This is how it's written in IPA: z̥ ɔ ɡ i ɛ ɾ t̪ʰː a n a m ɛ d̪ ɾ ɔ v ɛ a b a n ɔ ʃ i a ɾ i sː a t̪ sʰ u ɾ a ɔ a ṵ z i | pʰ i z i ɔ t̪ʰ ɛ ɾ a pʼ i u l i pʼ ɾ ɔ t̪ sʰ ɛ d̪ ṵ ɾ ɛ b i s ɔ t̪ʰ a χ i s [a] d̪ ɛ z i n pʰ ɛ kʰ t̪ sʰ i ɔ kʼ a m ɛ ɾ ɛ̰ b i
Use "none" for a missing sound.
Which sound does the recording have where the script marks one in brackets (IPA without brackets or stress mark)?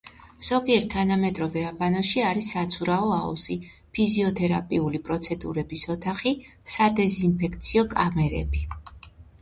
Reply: a